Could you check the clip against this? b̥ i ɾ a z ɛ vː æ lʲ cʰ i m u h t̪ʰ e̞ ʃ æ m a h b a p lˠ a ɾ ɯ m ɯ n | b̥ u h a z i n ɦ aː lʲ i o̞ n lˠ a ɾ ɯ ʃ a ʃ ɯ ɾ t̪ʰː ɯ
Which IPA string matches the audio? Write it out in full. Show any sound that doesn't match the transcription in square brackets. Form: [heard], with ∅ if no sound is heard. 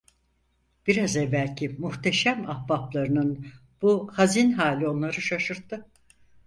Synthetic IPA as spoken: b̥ i ɾ a z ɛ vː æ lʲ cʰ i m u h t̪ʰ e̞ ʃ æ m a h b a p lˠ a ɾ ɯ [n] ɯ n | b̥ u h a z i n ɦ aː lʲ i o̞ n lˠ a ɾ ɯ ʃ a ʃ ɯ ɾ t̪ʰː ɯ